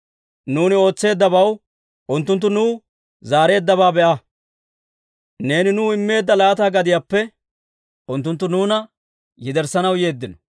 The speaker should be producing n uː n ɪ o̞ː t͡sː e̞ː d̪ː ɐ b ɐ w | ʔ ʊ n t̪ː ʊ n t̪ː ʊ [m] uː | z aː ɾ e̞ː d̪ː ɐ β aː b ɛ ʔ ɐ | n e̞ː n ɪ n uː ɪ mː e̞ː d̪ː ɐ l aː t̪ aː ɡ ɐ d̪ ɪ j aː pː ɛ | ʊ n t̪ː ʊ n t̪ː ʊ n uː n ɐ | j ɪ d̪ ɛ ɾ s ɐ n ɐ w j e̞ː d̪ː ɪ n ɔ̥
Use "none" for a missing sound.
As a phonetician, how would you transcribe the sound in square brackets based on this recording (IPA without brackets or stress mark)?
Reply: n